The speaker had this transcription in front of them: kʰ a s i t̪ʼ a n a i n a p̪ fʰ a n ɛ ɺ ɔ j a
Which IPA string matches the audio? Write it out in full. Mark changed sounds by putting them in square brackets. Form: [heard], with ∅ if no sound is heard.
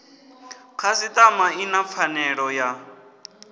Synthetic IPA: kʰ a s i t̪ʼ a [m] a i n a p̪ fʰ a n ɛ ɺ ɔ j a